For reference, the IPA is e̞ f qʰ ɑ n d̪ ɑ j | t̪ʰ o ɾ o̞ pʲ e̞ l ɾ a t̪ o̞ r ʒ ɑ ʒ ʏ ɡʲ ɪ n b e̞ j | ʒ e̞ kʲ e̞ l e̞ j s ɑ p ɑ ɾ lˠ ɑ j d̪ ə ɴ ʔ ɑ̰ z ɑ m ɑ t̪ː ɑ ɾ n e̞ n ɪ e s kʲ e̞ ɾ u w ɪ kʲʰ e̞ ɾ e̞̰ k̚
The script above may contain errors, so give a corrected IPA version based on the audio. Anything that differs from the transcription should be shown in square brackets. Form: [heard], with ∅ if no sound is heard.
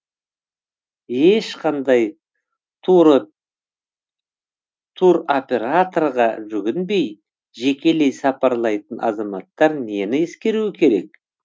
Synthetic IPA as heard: e̞ [ʃ] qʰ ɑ n d̪ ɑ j | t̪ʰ [u] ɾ o̞ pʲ e̞ [∅] ɾ a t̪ o̞ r [ʁ] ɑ ʒ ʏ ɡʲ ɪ n b e̞ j | ʒ e̞ kʲ e̞ l e̞ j s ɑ p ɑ ɾ lˠ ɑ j [t̪] ə [n] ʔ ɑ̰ z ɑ m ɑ t̪ː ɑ ɾ n e̞ n ɪ e s kʲ e̞ ɾ u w ɪ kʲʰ e̞ ɾ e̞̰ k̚

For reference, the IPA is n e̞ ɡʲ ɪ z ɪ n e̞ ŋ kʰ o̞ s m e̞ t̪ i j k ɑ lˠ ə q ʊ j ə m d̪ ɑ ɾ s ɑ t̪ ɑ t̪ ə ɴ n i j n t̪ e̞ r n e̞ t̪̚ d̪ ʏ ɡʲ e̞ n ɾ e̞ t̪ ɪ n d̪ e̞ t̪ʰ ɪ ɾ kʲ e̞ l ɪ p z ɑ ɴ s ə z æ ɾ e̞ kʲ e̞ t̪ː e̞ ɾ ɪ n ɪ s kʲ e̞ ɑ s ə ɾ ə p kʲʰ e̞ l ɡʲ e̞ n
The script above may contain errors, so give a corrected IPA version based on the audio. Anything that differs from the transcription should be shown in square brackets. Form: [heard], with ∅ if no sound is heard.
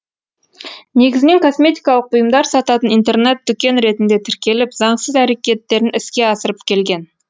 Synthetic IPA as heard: n e̞ ɡʲ ɪ z ɪ n e̞ ŋ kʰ o̞ s m e̞ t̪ i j k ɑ lˠ ə q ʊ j ə m d̪ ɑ ɾ s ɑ t̪ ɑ t̪ ə [∅] n i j n t̪ e̞ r n e̞ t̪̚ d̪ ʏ [kʲ] e̞ n ɾ e̞ t̪ ɪ n d̪ e̞ t̪ʰ ɪ ɾ kʲ e̞ l ɪ p z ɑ ɴ s ə z æ ɾ e̞ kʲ e̞ t̪ː e̞ ɾ ɪ n ɪ s kʲ e̞ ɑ s ə ɾ ə p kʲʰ e̞ l ɡʲ e̞ n

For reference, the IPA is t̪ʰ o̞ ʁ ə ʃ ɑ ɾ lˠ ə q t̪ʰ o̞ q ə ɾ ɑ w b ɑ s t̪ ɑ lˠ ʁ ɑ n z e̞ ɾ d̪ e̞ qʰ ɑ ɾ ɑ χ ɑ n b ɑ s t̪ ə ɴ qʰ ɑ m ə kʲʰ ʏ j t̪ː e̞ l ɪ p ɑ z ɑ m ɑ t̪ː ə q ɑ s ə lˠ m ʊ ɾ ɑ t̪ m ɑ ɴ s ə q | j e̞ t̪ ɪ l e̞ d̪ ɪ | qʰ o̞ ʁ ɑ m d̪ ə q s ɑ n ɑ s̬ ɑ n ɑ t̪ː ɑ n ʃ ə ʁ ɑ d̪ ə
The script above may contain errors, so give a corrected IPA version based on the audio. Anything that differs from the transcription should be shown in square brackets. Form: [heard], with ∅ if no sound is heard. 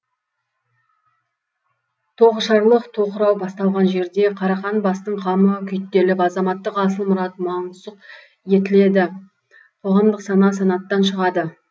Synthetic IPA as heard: t̪ʰ o̞ ʁ ə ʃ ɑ ɾ lˠ ə q t̪ʰ o̞ q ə ɾ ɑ w b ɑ s t̪ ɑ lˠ ʁ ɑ n [ʒ] e̞ ɾ d̪ e̞ qʰ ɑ ɾ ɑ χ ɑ n b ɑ s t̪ ə ɴ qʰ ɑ m ə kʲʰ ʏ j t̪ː e̞ l ɪ p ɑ z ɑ m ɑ t̪ː ə q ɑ s ə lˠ m ʊ ɾ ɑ t̪ m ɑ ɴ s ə q | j e̞ t̪ ɪ l e̞ d̪ ɪ | qʰ o̞ ʁ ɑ m d̪ ə q s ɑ n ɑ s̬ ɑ n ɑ t̪ː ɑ n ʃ ə ʁ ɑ d̪ ə

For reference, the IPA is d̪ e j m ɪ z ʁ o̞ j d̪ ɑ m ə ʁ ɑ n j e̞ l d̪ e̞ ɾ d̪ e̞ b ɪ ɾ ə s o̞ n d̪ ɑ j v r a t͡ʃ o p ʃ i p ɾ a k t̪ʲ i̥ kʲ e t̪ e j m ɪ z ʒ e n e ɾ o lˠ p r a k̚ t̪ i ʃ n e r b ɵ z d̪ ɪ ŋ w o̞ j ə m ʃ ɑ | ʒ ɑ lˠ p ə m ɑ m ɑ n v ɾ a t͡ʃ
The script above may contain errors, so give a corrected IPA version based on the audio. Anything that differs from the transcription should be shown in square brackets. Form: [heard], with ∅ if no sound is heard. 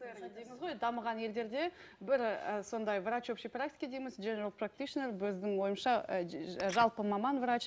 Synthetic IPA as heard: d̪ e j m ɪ z ʁ o̞ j d̪ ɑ m ə ʁ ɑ n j e̞ l d̪ e̞ ɾ d̪ e̞ b ɪ ɾ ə s o̞ n d̪ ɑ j v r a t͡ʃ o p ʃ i p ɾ a k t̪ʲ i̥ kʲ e [d̪] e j m ɪ z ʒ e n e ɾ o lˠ p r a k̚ t̪ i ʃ n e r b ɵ z d̪ ɪ ŋ w o̞ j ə m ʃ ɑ | ʒ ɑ lˠ p ə m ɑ m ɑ n v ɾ a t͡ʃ

